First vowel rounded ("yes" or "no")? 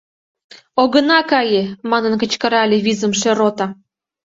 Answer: yes